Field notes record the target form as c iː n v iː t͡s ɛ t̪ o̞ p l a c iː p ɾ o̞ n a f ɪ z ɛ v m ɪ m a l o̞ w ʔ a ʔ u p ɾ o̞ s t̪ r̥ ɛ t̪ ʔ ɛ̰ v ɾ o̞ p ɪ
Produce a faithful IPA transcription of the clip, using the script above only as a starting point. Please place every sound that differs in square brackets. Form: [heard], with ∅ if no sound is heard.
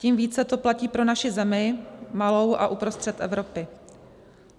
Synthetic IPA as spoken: c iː [m] v iː t͡s ɛ t̪ o̞ p l a c iː p ɾ o̞ n a [ʃ] ɪ z ɛ [∅] m ɪ m a l o̞ w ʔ a ʔ u p ɾ o̞ s t̪ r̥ ɛ t̪ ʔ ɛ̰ v ɾ o̞ p ɪ